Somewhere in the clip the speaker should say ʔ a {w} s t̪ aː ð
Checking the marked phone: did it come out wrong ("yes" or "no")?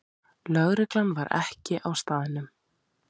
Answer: no